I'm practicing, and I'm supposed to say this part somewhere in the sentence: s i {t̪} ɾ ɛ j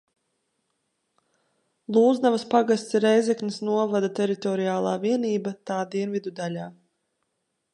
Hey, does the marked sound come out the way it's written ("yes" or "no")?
no